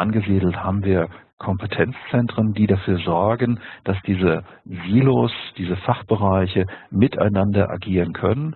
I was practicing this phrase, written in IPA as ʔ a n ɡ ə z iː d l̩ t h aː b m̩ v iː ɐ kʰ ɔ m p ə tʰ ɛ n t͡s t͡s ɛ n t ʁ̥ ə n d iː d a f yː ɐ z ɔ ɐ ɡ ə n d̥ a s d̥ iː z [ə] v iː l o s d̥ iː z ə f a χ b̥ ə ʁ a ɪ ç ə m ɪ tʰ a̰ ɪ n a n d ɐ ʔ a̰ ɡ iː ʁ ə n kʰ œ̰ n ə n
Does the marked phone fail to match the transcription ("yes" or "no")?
no